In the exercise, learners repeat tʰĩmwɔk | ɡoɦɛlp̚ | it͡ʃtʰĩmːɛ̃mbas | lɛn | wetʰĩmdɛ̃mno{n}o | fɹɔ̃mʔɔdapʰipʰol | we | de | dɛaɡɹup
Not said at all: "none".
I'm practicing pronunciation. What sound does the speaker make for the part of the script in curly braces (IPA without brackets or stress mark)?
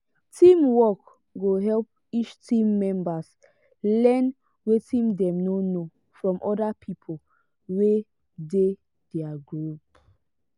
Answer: n